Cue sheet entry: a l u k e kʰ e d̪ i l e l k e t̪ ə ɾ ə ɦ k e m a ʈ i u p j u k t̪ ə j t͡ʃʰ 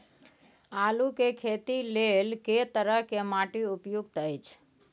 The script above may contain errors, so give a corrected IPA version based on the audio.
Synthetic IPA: a l u k e kʰ e t̪ i l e l k e t̪ ə ɾ ə ɦ k e m a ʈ i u p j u ɡ t̪ ə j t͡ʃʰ